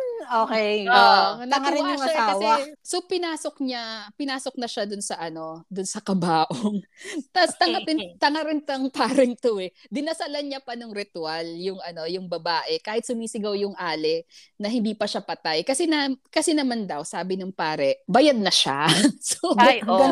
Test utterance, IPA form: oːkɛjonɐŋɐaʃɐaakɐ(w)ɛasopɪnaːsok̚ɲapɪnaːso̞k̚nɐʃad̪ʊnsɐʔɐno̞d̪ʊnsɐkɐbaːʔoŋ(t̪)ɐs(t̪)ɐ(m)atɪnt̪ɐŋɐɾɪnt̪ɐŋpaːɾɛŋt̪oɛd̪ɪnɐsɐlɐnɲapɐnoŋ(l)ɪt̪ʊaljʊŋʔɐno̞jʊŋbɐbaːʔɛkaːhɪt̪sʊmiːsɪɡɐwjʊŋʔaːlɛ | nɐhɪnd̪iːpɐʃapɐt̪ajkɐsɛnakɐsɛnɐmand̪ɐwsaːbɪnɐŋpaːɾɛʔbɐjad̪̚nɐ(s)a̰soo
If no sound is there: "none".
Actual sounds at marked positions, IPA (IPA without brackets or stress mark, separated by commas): w, t̪, t̪, ŋ, ɾ, ʃ